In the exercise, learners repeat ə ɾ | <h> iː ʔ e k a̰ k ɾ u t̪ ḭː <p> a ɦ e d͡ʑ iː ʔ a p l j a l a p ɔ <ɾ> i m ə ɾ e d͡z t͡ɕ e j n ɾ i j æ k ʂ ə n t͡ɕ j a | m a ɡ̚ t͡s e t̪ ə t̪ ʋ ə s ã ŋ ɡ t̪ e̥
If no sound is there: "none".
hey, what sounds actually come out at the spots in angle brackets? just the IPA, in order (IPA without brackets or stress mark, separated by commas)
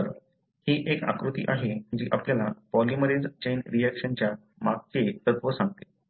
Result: h, ʔ, l